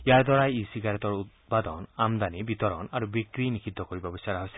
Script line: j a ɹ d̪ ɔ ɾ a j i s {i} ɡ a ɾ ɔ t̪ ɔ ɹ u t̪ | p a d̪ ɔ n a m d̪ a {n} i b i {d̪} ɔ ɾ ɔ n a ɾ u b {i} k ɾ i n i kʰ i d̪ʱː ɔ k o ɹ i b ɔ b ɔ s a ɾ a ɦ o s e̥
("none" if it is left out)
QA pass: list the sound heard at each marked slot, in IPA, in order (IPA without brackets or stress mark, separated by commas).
i, n, t̪, i